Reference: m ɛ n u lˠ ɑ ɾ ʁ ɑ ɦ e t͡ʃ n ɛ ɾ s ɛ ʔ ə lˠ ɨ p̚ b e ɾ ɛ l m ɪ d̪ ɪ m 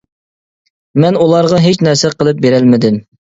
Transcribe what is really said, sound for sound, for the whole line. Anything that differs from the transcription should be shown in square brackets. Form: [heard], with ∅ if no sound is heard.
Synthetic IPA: m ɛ n u lˠ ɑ ɾ ʁ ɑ ɦ e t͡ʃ n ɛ ɾ s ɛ [q] ə lˠ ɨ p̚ b e ɾ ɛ l m ɪ d̪ ɪ m